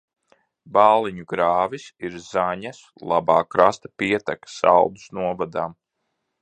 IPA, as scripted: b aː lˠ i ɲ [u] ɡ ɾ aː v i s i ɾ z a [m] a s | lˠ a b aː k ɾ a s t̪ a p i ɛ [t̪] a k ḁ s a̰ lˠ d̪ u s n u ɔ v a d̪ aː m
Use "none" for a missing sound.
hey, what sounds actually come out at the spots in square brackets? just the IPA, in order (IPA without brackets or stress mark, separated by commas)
u, ɲ, t̪